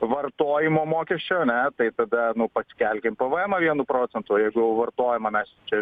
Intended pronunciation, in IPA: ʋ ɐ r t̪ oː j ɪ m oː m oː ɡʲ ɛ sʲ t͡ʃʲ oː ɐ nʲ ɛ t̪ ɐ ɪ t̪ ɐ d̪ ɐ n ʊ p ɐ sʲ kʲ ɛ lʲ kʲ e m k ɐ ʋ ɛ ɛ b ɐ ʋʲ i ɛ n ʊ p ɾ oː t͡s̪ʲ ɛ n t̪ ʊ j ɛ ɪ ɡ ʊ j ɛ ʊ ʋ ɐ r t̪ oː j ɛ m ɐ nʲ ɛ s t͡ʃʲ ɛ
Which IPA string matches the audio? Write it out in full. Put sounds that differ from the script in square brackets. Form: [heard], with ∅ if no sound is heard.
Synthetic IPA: ʋ ɐ r t̪ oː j ɪ m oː m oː [kʲ] ɛ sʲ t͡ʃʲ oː ɐ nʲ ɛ t̪ ɐ ɪ t̪ ɐ d̪ ɐ n ʊ p ɐ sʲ kʲ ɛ lʲ kʲ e m [p] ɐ ʋ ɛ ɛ [m] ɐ ʋʲ i ɛ n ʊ p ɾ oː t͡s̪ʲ ɛ n t̪ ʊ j ɛ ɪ ɡ ʊ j ɛ ʊ ʋ ɐ r t̪ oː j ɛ m ɐ [mʲ] ɛ s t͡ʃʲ ɛ

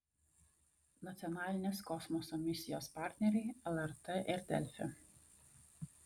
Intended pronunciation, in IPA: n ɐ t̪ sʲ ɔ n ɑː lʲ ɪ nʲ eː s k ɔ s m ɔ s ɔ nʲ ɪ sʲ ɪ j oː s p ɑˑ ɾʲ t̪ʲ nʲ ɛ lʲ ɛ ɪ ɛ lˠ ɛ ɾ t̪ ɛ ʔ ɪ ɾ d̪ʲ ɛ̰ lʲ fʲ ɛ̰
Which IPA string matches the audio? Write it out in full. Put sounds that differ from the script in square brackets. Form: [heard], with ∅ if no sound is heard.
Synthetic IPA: n ɐ t̪ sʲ ɔ n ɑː lʲ ɪ nʲ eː s k ɔ s m ɔ s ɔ [mʲ] ɪ sʲ ɪ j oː s p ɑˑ ɾʲ t̪ʲ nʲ ɛ [ɾʲ] ɛ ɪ ɛ lˠ ɛ ɾ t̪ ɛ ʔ ɪ ɾ d̪ʲ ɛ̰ lʲ fʲ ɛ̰

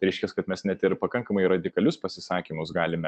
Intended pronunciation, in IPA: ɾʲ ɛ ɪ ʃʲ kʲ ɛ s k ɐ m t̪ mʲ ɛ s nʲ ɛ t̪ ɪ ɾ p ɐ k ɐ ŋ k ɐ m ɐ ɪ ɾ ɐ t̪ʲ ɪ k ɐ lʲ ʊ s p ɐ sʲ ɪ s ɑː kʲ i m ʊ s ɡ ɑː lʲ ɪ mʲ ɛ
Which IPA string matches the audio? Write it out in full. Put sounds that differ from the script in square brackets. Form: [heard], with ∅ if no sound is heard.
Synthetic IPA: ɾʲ ɛ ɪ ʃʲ kʲ ɛ s k ɐ [∅] t̪ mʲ ɛ s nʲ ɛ t̪ ɪ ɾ p ɐ k ɐ ŋ k ɐ m ɐ ɪ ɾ ɐ [d̪ʲ] ɪ k ɐ lʲ ʊ s p ɐ sʲ ɪ s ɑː kʲ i m ʊ s ɡ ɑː lʲ ɪ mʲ ɛ

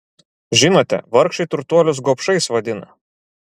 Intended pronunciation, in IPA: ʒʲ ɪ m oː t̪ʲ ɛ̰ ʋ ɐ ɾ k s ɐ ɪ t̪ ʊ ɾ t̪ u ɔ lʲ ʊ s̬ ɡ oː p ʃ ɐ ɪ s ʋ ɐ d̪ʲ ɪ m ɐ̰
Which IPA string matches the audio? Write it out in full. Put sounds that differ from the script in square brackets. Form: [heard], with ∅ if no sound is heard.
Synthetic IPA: ʒʲ ɪ [n] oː t̪ʲ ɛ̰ ʋ ɐ ɾ k [ʃ] ɐ ɪ t̪ ʊ ɾ t̪ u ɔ lʲ ʊ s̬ ɡ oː p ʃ ɐ ɪ s ʋ ɐ d̪ʲ ɪ [n] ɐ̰

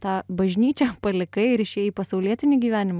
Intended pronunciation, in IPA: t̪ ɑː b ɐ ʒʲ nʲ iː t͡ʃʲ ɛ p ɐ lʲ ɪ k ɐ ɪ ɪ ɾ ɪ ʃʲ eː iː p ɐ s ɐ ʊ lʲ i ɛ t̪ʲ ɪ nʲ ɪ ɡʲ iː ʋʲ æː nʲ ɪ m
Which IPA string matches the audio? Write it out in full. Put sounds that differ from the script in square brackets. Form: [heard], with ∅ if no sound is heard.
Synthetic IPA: t̪ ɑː b ɐ ʒʲ nʲ iː t͡ʃʲ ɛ p ɐ lʲ ɪ k ɐ ɪ ɪ ɾ ɪ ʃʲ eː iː p ɐ s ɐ ʊ lʲ i ɛ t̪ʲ ɪ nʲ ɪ ɡʲ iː ʋʲ æː nʲ ɪ m

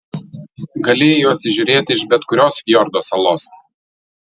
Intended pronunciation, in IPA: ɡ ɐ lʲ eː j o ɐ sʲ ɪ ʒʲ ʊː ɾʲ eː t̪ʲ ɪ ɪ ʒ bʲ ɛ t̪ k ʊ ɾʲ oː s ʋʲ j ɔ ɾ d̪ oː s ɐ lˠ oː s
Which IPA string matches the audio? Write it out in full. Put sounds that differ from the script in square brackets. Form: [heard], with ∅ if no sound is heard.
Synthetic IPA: ɡ ɐ lʲ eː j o ɐ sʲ ɪ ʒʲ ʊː ɾʲ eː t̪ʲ ɪ ɪ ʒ bʲ ɛ t̪ k ʊ ɾʲ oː s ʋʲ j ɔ ɾ d̪ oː s ɐ lˠ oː s

